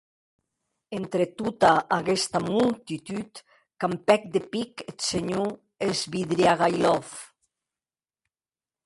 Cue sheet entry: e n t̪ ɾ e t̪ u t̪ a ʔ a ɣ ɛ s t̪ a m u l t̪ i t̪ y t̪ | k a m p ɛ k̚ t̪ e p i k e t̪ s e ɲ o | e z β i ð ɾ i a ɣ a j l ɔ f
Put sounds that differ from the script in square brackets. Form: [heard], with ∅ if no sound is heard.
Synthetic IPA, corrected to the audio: e n t̪ ɾ e t̪ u t̪ a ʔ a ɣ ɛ s t̪ a m u l t̪ i t̪ y t̪ | k a m p ɛ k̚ [d̪] e p i k e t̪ s e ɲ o | e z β i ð ɾ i a ɣ a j l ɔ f